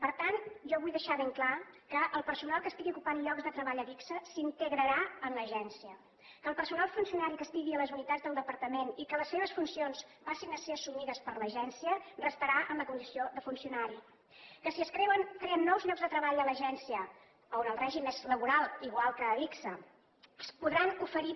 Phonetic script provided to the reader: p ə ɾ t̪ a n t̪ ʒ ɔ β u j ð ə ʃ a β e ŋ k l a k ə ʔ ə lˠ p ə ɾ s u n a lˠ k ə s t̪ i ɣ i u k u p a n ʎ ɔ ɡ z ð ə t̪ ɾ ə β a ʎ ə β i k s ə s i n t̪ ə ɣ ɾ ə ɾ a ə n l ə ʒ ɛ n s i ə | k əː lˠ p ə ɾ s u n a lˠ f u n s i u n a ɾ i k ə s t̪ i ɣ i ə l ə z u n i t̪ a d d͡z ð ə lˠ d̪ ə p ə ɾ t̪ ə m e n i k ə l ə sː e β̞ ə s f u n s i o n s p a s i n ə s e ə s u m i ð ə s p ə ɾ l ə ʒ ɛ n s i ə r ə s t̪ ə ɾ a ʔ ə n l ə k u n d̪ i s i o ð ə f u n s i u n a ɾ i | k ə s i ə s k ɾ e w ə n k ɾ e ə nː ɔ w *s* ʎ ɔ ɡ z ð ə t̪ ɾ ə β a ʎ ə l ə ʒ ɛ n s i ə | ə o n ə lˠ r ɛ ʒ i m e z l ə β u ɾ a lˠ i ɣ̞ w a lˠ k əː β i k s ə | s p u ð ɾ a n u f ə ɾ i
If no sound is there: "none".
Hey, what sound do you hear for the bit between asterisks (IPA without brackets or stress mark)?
z